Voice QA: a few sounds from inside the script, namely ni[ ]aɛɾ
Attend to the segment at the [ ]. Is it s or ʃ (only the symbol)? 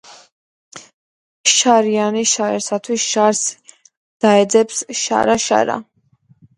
ʃ